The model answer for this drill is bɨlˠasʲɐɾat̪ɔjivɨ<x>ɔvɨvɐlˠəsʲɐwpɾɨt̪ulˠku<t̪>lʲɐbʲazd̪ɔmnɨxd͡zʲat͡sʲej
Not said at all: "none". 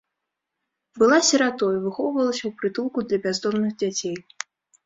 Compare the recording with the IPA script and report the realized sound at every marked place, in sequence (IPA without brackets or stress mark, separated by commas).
x, d̪